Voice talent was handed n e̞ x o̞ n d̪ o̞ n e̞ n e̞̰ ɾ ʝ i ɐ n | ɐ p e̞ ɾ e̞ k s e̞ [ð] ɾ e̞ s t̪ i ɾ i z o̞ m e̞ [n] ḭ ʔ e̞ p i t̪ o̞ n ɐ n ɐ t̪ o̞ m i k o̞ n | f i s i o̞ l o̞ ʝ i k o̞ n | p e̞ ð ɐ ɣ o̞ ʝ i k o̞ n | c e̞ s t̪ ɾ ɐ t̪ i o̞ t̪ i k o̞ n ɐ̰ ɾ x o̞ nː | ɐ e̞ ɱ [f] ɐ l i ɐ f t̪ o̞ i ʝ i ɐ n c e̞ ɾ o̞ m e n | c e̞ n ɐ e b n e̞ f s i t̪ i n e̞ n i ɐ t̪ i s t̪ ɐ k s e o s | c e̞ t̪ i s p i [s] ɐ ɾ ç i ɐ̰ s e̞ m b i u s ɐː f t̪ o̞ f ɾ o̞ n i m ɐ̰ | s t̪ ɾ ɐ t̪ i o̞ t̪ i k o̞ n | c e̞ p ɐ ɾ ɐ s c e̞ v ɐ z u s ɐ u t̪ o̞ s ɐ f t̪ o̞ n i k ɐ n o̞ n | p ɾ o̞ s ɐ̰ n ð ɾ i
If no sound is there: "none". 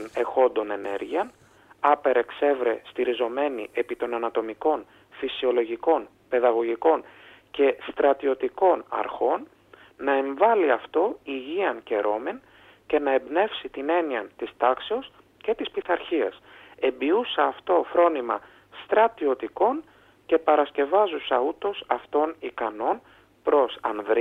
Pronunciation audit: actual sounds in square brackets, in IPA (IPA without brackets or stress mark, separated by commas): v, n, v, θ